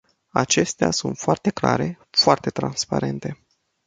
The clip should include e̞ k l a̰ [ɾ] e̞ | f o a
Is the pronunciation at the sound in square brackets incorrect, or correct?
correct